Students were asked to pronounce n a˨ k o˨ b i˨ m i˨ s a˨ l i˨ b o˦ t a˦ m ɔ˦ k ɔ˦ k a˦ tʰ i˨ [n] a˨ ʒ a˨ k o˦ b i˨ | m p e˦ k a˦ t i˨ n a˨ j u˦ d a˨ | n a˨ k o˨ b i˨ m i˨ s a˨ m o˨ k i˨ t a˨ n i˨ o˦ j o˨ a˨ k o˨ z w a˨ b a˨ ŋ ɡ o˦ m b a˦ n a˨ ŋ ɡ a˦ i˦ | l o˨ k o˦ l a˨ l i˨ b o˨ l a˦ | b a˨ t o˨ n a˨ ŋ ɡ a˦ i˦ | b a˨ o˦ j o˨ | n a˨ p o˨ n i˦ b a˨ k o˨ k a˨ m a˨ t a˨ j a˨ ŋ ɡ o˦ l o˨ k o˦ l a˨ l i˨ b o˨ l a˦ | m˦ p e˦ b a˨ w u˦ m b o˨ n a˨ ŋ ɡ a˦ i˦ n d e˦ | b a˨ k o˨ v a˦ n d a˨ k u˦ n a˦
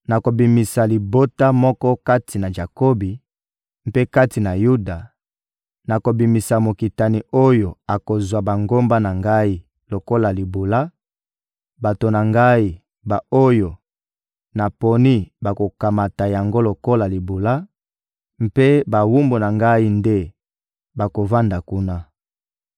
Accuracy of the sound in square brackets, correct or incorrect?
correct